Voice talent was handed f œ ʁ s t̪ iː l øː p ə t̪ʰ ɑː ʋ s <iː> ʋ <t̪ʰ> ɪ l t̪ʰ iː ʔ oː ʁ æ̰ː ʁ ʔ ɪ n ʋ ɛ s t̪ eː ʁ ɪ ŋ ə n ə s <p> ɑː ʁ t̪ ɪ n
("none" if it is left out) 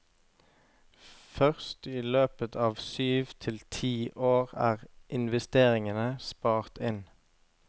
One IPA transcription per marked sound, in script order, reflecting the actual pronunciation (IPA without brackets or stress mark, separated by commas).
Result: yː, t̪ʰ, p